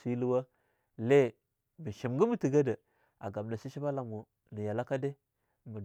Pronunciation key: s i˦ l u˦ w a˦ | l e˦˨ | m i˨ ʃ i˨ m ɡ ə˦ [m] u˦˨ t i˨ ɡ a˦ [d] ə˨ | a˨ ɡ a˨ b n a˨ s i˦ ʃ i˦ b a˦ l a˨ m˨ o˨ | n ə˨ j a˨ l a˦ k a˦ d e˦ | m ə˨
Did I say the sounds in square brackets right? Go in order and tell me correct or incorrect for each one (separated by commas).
correct, correct